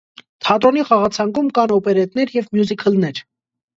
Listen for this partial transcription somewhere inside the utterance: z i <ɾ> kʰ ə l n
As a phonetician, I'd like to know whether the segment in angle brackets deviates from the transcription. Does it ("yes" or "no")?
yes